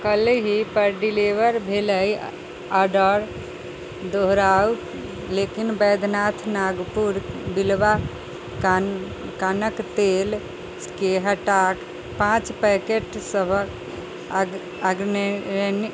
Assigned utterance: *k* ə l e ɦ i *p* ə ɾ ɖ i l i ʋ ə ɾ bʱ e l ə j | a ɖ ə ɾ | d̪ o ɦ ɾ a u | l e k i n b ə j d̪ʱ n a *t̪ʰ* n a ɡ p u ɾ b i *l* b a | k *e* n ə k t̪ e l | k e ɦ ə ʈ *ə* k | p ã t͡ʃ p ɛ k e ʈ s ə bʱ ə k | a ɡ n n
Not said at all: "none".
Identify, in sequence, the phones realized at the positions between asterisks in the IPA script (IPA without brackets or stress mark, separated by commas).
k, p, t̪ʰ, l, a, a